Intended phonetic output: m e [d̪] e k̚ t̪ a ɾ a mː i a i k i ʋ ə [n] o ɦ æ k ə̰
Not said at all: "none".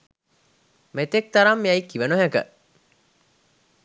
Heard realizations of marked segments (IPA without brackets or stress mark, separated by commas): t̪, n